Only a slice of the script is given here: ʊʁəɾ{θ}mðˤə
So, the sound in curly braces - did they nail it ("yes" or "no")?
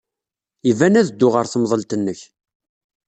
yes